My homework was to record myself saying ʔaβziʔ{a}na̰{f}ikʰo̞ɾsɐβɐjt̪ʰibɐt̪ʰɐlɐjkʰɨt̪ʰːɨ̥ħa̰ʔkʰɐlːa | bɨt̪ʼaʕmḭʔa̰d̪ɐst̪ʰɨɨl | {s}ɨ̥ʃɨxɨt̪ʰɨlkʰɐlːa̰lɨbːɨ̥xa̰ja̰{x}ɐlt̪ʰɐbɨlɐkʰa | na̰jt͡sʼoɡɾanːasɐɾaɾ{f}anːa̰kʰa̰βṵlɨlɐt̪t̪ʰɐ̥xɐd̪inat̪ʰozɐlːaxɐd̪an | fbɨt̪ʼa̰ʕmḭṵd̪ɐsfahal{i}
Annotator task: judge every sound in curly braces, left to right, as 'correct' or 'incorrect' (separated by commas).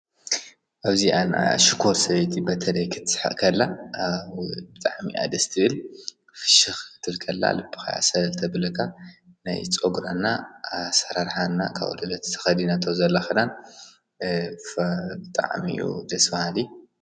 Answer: correct, incorrect, incorrect, incorrect, incorrect, correct